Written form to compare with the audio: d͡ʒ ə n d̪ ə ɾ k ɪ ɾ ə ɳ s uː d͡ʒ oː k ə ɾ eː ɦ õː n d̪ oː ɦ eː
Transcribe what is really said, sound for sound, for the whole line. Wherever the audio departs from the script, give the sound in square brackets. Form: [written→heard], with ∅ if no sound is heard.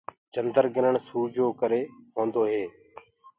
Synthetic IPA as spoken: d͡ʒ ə n d̪ ə ɾ [k→ɡ] ɪ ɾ ə ɳ s uː d͡ʒ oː k ə ɾ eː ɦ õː n d̪ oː ɦ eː